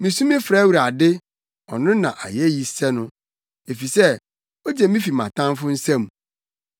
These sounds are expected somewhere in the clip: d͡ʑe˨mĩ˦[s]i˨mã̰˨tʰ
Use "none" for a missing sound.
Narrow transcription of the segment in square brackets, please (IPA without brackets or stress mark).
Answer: f